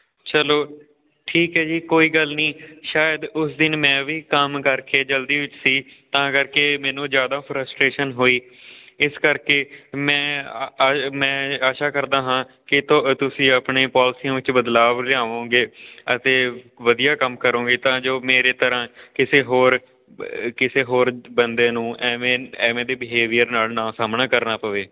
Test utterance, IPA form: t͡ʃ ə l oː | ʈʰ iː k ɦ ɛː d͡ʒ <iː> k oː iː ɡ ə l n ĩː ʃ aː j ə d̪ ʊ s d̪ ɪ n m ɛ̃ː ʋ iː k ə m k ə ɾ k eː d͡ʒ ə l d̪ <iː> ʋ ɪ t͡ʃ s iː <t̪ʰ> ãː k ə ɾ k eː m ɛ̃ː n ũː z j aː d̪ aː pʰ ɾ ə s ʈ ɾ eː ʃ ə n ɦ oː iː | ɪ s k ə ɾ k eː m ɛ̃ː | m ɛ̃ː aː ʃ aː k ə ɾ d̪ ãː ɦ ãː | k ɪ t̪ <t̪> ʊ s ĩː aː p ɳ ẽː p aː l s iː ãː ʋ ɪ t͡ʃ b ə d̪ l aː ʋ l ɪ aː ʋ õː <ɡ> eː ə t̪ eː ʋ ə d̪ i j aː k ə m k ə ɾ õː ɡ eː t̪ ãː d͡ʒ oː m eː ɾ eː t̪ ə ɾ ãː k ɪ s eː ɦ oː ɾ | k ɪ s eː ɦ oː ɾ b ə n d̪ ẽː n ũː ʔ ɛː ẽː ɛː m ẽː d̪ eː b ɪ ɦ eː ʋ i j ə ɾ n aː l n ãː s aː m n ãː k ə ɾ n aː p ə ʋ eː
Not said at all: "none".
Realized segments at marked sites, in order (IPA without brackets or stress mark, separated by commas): iː, iː, t̪, t̪, ɡ